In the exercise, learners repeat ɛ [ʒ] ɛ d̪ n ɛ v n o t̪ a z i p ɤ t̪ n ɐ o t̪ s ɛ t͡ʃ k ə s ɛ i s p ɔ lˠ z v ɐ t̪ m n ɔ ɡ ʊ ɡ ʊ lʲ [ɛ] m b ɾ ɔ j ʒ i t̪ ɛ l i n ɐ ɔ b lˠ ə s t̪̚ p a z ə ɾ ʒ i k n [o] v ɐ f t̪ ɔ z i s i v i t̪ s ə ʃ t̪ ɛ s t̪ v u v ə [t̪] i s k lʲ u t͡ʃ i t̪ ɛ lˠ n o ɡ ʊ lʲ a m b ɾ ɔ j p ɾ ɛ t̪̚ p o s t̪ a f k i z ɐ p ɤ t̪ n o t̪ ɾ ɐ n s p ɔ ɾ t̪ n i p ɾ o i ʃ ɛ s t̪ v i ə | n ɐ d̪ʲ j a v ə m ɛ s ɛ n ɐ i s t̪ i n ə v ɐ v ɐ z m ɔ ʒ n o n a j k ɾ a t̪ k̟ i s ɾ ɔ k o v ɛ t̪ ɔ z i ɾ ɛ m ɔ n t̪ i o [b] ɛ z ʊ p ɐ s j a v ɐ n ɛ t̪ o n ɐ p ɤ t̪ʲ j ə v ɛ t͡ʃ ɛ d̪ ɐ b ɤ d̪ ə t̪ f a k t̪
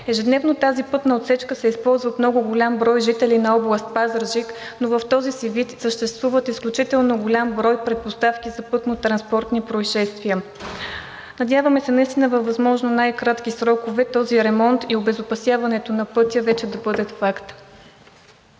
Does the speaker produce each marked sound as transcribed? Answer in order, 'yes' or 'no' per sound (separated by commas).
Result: yes, no, yes, yes, yes